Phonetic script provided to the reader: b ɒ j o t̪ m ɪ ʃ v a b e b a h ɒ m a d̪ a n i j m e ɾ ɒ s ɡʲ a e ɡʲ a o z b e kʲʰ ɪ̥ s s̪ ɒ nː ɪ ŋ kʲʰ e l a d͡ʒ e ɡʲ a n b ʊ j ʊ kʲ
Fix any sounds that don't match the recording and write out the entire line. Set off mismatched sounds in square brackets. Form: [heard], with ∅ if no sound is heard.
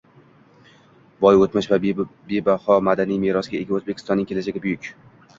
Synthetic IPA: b ɒ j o t̪ m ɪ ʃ v a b e b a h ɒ m a d̪ a n i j m e ɾ ɒ s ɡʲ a e ɡʲ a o z b e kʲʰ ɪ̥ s [t̪] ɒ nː ɪ ŋ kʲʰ e l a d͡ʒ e ɡʲ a [∅] b ʊ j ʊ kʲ

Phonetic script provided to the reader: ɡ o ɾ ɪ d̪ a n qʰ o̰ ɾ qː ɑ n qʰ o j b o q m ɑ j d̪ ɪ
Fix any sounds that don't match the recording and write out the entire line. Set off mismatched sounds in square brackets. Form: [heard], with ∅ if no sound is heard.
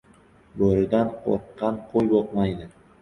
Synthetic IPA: [b] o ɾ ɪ d̪ a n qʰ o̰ ɾ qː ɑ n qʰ o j b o q m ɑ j d̪ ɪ

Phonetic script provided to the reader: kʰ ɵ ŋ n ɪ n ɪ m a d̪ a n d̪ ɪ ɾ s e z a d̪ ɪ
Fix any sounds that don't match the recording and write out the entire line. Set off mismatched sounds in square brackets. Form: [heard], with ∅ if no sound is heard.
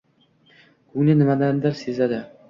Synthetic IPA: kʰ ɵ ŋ n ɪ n ɪ m a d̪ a n d̪ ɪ ɾ s e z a d̪ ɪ

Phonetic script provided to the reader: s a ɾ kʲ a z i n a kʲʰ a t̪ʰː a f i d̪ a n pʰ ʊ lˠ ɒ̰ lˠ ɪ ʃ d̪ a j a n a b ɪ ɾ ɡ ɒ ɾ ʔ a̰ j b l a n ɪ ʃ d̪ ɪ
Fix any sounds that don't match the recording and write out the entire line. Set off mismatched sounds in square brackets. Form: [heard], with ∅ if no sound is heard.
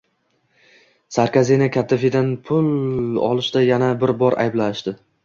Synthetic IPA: s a ɾ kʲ a z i n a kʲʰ a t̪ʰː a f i d̪ a n pʰ ʊ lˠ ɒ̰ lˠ ɪ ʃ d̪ a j a n a b ɪ ɾ [b] ɒ ɾ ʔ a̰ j b l a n ɪ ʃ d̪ ɪ

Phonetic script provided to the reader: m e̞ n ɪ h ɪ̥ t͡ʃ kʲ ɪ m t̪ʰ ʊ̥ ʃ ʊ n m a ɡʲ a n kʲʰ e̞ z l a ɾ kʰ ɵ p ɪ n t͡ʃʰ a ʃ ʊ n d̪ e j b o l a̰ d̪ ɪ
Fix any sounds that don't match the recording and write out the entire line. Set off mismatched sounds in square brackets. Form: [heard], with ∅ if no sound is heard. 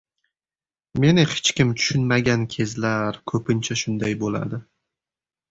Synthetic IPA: m e̞ n ɪ h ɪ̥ t͡ʃ kʲ ɪ m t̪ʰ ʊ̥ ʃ ʊ n m a ɡʲ a n kʲʰ e̞ z l a ɾ kʰ ɵ p ɪ n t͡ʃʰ a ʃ ʊ n d̪ [a] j b o l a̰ d̪ ɪ

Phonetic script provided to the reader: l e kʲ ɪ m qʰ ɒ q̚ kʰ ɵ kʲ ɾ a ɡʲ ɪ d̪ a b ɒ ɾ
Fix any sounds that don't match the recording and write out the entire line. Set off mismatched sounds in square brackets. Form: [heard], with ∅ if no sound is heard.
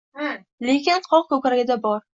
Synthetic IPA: l e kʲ ɪ [n] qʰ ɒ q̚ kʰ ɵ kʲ ɾ a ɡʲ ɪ d̪ a b ɒ ɾ

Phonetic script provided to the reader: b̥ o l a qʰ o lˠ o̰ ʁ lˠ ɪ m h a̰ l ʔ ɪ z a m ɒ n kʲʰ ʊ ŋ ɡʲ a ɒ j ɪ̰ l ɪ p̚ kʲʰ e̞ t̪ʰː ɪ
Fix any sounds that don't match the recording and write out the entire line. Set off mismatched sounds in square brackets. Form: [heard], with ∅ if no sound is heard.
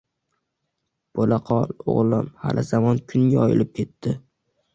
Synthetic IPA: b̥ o l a qʰ [ɒ] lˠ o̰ ʁ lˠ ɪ m h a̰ l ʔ ɪ z a m ɒ n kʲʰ ʊ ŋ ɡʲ a ɒ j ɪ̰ l ɪ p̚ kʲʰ e̞ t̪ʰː ɪ

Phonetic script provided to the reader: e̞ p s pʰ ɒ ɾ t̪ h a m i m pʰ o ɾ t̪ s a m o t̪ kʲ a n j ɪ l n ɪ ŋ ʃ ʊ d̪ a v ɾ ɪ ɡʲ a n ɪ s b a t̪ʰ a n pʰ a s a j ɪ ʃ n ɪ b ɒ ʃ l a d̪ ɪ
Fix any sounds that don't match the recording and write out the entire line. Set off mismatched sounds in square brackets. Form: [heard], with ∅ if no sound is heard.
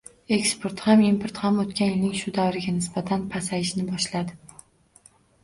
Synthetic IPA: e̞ [k] s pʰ [o] ɾ t̪ h a m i m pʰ o ɾ t̪ [h] a m o t̪ kʲ a n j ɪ l n ɪ ŋ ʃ ʊ d̪ a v ɾ ɪ ɡʲ a n ɪ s b a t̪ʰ a n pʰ a s a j ɪ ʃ n ɪ b ɒ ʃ l a d̪ ɪ

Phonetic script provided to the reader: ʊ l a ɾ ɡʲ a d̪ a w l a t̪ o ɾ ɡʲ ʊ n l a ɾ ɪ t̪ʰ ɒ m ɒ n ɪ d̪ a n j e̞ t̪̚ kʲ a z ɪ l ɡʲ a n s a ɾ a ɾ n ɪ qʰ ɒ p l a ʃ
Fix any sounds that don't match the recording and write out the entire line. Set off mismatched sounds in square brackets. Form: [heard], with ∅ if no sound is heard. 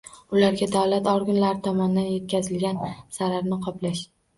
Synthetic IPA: ʊ l a ɾ ɡʲ a d̪ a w l a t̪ [ɒ] ɾ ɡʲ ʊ n l a ɾ ɪ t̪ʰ ɒ m ɒ n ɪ d̪ a n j e̞ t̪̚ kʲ a z ɪ l ɡʲ a n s a ɾ a ɾ n ɪ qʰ ɒ p l a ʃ

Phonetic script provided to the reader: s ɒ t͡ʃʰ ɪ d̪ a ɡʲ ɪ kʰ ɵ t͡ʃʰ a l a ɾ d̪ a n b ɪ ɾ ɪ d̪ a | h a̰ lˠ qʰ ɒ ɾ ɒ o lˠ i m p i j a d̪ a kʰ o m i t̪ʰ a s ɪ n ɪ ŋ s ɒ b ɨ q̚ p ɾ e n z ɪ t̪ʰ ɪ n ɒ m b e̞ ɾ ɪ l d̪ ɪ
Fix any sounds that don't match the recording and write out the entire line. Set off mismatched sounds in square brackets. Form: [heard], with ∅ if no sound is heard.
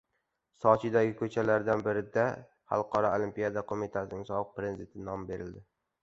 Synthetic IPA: s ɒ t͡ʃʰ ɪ d̪ a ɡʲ ɪ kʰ ɵ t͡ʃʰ a l a ɾ d̪ a n b ɪ ɾ ɪ d̪ a | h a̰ lˠ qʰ ɒ ɾ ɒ o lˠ i m p i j a d̪ a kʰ o m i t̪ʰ a s ɪ n ɪ ŋ s ɒ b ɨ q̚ p ɾ e n z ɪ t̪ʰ ɪ n ɒ m b e̞ ɾ ɪ l d̪ ɪ

